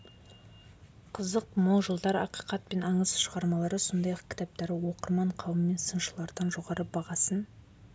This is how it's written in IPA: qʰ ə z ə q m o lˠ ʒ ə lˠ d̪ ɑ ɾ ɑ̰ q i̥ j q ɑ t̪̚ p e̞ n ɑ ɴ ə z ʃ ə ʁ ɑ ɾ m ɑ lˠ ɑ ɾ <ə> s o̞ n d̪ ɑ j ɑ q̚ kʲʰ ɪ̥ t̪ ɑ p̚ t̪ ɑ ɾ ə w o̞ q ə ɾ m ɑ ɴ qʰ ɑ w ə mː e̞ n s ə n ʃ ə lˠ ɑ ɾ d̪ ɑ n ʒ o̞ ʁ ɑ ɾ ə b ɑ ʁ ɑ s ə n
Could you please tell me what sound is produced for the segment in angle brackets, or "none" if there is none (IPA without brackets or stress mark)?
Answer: ə